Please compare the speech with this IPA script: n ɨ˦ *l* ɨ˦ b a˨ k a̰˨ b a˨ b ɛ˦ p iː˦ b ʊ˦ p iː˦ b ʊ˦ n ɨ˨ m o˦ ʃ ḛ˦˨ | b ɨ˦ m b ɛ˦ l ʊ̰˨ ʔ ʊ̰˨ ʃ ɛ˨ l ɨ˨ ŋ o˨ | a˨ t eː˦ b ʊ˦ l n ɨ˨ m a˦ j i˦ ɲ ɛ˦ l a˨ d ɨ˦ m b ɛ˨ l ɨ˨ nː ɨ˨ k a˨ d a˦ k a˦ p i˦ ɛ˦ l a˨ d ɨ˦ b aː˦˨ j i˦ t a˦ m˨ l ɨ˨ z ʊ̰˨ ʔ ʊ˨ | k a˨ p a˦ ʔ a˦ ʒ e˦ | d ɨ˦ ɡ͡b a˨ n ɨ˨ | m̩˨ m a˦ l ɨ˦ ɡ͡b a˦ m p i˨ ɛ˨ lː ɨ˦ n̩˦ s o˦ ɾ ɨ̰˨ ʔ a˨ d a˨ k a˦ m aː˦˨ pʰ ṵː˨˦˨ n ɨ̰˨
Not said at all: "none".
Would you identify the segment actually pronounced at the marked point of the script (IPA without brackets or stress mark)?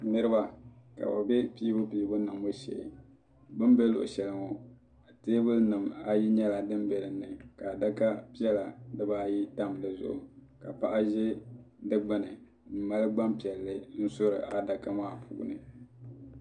ɾ